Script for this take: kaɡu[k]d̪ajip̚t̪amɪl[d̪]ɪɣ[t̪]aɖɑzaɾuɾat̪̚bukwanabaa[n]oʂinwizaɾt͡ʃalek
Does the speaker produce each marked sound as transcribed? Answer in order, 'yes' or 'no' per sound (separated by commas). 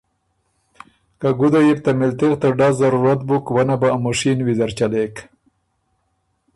no, no, yes, no